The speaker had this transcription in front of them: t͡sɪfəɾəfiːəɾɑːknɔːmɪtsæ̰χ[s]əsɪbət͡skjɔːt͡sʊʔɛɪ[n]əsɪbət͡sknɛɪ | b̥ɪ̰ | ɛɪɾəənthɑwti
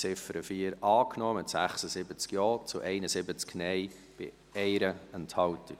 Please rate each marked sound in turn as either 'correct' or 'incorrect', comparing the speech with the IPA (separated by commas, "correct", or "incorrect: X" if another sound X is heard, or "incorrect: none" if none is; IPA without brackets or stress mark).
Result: correct, correct